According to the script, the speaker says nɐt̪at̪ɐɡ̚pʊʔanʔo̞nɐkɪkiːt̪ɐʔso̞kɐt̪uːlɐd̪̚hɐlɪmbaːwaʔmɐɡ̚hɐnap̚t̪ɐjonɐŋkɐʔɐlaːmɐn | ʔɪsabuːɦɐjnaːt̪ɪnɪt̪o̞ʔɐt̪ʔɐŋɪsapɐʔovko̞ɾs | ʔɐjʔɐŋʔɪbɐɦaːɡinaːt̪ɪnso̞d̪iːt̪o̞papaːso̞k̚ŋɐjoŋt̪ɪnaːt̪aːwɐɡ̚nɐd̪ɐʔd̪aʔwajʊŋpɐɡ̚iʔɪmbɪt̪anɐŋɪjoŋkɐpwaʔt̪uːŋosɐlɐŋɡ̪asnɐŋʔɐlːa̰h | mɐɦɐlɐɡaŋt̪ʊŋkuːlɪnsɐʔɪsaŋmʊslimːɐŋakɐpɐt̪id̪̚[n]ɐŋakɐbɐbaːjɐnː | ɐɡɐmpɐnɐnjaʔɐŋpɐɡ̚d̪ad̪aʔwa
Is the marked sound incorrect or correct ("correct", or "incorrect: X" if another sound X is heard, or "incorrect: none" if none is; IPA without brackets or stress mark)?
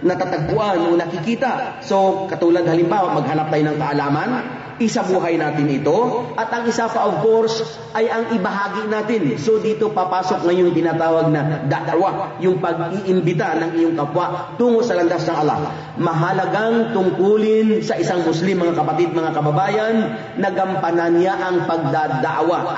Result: incorrect: m